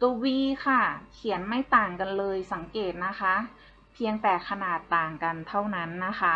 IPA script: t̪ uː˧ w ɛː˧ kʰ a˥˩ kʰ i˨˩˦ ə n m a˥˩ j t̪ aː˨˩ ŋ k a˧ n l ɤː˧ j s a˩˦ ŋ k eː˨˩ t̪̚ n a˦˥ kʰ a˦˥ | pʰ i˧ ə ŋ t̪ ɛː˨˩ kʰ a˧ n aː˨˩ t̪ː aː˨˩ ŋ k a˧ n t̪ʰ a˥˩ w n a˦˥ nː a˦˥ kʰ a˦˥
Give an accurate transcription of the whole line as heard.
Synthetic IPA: t̪ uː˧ w iː˧ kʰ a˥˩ kʰ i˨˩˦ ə n m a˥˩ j t̪ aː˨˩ ŋ k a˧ n l ɤː˧ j s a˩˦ ŋ k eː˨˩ t̪̚ n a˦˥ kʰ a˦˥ | pʰ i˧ ə ŋ t̪ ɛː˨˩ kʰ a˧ n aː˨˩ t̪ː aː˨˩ ŋ k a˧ n t̪ʰ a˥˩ w n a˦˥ nː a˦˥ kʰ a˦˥